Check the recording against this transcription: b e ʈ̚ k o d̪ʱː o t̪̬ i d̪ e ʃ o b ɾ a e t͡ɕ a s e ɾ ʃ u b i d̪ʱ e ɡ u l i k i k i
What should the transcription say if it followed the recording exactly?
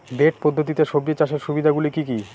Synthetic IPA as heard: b e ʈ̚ p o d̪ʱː o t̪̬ i t̪ e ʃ o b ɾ i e t͡ɕ a ʃ e ɾ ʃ u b i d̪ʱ a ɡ u l i k i k i